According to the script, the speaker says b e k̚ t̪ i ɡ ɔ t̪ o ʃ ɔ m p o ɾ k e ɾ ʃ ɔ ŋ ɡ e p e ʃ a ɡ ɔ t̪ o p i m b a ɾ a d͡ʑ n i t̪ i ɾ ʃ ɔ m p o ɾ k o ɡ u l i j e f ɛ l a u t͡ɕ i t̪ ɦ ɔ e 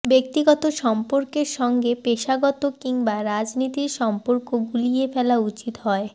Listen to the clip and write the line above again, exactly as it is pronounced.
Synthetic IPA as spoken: b e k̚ t̪ i ɡ ɔ t̪ o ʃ ɔ m p o ɾ k e ɾ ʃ ɔ ŋ ɡ e p e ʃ a ɡ ɔ t̪ o k i ŋ b a ɾ a d͡ʑ n i t̪ i ɾ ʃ ɔ m p o ɾ k o ɡ u l i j e f ɛ l a u t͡ɕ i t̪ ɦ ɔ e